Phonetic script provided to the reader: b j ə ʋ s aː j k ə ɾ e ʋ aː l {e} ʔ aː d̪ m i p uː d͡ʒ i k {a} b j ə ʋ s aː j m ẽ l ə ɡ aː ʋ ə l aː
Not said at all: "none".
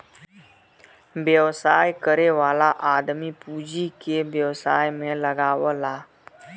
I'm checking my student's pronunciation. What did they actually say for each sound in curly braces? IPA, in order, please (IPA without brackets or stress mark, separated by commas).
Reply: a, e